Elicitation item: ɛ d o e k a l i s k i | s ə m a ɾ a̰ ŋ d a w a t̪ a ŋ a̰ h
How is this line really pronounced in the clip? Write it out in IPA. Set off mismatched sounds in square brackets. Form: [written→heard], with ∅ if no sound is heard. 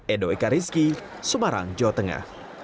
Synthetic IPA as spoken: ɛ d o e k a [l→ɾ] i s k i | s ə m a ɾ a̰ ŋ [d→d͡ʒ] a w a t̪ [a→ə] ŋ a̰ h